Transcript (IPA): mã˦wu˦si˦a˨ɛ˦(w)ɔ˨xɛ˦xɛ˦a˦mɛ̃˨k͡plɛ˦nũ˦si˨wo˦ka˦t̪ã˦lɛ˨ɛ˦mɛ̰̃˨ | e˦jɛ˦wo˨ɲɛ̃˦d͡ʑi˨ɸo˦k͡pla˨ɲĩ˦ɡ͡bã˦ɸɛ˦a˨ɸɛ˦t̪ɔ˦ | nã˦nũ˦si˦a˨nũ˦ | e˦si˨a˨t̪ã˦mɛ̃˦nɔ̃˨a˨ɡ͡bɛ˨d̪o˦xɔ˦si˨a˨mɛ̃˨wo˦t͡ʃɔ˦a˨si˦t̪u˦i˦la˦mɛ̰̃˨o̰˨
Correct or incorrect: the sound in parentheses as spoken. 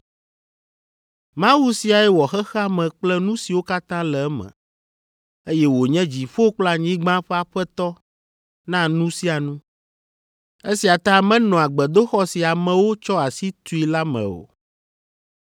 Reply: correct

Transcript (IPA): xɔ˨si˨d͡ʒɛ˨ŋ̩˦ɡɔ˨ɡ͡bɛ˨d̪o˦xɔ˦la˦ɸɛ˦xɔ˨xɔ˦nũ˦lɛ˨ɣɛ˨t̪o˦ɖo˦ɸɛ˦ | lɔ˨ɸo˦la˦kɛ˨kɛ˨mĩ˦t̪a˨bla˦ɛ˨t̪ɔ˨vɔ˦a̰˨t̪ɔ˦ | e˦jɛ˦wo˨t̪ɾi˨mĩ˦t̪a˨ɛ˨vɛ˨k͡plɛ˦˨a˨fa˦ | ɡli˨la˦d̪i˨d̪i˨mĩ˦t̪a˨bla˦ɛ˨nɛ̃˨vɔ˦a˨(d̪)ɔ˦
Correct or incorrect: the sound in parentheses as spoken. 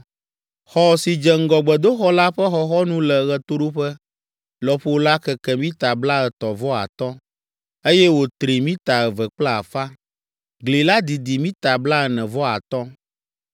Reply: incorrect: t̪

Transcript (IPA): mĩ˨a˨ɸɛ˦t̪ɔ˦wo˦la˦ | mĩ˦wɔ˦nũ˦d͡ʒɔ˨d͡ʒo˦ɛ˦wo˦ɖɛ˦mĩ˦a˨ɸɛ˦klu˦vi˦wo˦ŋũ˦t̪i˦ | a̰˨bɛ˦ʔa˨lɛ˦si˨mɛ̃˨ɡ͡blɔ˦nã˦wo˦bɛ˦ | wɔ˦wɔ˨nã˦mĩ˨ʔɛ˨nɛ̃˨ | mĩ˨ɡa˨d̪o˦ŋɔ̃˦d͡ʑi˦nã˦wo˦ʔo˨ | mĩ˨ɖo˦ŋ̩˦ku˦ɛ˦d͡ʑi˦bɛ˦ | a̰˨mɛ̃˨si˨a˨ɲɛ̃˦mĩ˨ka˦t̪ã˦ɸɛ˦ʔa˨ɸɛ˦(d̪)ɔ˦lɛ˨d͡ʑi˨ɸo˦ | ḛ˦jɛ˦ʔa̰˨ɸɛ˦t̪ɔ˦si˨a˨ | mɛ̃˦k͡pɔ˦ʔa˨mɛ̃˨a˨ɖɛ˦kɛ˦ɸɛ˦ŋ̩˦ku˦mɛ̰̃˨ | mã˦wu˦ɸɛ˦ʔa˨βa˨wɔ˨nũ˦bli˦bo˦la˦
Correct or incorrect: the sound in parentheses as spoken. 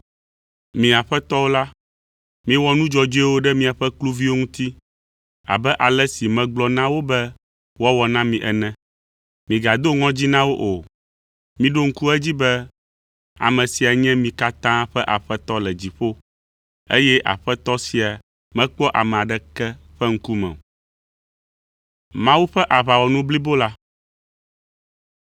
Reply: incorrect: t̪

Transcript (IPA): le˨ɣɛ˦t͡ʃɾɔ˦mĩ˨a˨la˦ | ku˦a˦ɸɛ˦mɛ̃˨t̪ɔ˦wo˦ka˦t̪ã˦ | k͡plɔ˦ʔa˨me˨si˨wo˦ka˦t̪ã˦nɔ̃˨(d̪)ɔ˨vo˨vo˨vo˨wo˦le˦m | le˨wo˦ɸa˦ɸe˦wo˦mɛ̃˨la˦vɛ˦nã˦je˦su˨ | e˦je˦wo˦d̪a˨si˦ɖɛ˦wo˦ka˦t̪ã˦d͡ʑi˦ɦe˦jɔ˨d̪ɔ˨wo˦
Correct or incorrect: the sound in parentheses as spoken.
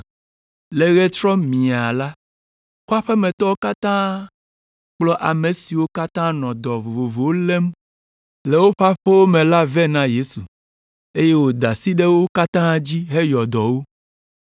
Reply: correct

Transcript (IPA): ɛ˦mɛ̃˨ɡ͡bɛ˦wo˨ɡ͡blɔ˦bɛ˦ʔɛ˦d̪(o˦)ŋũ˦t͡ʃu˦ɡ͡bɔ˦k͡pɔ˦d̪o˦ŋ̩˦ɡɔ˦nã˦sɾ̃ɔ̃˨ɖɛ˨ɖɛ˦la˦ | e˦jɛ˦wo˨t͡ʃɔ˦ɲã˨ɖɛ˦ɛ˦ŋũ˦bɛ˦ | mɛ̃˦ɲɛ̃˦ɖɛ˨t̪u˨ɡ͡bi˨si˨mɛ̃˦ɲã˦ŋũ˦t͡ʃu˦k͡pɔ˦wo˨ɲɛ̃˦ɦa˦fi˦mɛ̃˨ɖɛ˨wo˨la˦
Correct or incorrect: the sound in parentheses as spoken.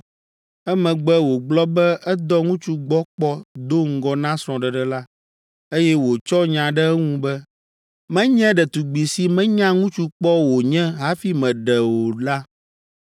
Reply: incorrect: ɔ˦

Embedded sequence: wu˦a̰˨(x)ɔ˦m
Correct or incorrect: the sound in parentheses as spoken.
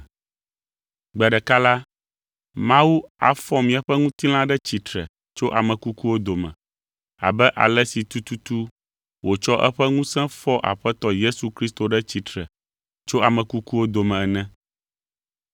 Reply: incorrect: f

